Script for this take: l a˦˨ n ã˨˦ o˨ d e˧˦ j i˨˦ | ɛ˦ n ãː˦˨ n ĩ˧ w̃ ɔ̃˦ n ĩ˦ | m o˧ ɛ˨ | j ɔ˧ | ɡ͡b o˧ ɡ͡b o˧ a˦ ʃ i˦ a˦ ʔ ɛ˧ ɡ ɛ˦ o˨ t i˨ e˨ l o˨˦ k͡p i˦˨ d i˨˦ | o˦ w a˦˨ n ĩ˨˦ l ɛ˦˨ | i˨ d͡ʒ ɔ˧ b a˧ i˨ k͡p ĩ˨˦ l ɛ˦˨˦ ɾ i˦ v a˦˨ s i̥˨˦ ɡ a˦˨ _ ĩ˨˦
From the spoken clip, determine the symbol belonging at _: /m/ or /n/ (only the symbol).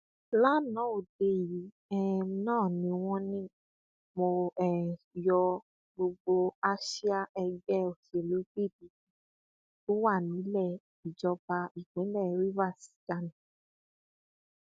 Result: n